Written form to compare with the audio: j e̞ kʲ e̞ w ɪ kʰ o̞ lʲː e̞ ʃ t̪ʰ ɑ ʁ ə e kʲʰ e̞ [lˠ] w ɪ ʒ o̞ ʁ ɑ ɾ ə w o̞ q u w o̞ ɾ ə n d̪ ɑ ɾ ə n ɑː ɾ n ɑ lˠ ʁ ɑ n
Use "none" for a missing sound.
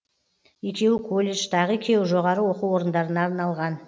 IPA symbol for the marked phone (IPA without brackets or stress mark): none